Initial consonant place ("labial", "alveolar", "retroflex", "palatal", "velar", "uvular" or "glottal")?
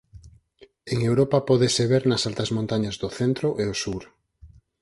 velar